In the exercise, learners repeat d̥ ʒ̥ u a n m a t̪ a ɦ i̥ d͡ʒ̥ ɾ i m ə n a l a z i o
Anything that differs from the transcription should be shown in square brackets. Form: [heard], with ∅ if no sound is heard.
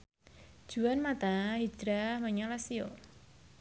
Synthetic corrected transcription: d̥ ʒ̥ u a n m a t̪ a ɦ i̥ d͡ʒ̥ ɾ [a] m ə [ɲ] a l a [s] i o